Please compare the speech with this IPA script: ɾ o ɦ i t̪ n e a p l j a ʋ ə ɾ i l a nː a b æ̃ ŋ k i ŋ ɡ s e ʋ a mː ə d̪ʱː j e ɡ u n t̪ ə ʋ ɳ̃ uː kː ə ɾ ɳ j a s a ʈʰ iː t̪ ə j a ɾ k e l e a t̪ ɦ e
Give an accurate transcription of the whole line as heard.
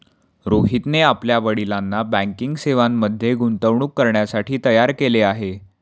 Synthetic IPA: ɾ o ɦ i t̪ n e a p l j a ʋ ə ɽ i l a nː a b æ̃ ŋ k i ŋ ɡ s e ʋ a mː ə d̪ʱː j e ɡ u n t̪ ə ʋ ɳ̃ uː kː ə ɾ ɳ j a s a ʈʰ iː t̪ ə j a ɾ k e l e a ɦ e